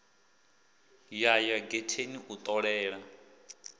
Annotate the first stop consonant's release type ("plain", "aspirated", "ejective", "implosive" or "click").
plain